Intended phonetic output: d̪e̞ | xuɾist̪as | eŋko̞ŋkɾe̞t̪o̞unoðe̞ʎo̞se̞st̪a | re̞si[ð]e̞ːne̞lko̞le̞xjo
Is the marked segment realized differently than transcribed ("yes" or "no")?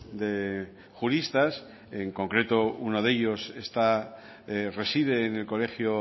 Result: no